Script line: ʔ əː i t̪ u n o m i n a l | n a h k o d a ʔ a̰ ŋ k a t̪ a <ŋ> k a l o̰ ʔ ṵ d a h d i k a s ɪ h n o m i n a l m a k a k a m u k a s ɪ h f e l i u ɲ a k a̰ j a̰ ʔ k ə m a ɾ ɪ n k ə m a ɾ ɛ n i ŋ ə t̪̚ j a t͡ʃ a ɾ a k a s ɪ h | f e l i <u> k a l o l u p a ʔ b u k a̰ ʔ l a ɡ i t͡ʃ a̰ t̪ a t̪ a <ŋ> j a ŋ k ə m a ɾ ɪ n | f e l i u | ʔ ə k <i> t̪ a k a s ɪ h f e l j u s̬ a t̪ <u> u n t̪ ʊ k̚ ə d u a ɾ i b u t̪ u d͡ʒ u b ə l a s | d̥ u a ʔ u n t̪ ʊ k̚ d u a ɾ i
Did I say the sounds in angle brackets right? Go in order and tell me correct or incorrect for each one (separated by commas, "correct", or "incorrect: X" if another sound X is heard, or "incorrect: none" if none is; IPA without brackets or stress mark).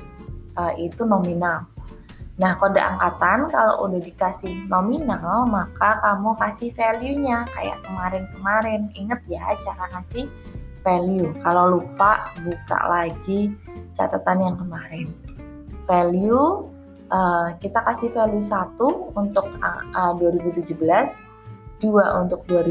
incorrect: n, correct, incorrect: n, correct, correct